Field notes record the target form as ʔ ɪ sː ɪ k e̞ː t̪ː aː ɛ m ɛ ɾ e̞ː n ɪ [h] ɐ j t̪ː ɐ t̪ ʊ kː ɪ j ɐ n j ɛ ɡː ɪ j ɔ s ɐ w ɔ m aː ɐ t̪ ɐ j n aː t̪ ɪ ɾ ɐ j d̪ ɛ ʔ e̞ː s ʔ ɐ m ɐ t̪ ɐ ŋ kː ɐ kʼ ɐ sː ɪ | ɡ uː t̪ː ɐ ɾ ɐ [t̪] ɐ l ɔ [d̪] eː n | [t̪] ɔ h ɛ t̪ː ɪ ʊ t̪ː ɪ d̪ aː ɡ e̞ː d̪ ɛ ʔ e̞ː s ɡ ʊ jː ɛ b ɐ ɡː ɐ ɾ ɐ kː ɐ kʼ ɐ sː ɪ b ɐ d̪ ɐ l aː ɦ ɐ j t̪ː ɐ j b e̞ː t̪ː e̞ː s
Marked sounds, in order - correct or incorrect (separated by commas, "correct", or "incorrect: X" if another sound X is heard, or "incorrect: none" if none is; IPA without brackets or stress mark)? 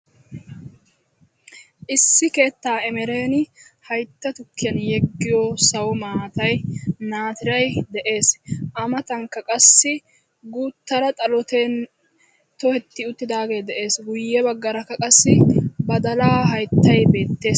correct, incorrect: t̪ʼ, incorrect: t̪, correct